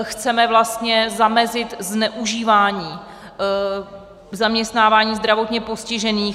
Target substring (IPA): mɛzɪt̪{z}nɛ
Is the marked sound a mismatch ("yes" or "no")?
no